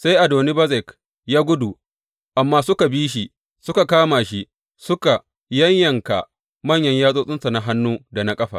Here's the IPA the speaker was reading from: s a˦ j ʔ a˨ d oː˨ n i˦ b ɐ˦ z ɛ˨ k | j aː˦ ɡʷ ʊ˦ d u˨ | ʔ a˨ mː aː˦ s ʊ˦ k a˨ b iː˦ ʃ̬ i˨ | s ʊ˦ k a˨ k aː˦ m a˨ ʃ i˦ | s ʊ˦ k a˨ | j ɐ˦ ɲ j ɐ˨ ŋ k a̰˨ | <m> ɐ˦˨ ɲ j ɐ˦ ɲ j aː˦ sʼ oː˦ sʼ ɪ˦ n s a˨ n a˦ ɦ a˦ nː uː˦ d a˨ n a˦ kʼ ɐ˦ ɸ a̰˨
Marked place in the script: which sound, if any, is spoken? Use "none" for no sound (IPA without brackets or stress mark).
m